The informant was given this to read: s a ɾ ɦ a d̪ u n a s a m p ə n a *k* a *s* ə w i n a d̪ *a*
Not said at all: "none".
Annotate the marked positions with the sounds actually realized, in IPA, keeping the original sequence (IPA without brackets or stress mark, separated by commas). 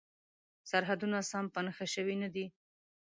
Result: x, ʃ, i